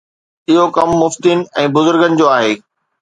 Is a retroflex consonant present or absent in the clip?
absent